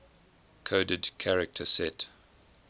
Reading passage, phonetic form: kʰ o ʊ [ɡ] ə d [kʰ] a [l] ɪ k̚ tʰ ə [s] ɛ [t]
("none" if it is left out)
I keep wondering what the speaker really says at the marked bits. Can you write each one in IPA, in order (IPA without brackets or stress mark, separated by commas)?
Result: d, kʰ, ɹ, s, t